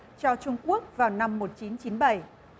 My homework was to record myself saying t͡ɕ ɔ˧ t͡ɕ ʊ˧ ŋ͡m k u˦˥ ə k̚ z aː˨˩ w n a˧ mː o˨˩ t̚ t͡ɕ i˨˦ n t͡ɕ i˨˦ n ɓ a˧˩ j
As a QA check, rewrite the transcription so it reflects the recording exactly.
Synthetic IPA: t͡ɕ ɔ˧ t͡ɕ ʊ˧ ŋ͡m k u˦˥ ə k̚ v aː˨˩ w n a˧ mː o˨˩ t̚ t͡ɕ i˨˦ n t͡ɕ i˨˦ n ɓ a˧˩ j